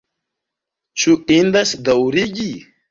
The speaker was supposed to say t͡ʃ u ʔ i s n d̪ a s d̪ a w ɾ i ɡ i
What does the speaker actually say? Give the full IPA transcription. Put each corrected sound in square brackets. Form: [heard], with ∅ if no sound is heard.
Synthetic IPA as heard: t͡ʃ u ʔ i [∅] n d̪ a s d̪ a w ɾ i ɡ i